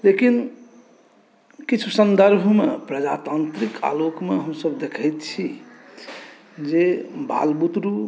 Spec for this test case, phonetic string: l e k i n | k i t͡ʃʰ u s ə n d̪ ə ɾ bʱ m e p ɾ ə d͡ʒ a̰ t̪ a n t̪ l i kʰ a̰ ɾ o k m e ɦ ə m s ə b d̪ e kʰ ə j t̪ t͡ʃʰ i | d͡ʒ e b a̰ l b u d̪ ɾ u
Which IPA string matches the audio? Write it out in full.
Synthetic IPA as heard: l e k i n | k i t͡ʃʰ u s ə n d̪ ə ɾ bʱ m e p ɾ ə d͡ʒ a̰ t̪ a n t̪ ɾ i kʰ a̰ l o k m e ɦ ə m s ə b d̪ e kʰ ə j t̪ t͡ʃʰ i | d͡ʒ e b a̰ l b u t̪ ɾ u